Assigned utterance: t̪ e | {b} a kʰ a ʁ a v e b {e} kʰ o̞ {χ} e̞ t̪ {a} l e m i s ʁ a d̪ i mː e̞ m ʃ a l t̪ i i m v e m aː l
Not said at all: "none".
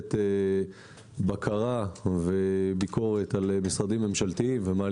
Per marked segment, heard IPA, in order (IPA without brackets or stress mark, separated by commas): b, i, ʁ, a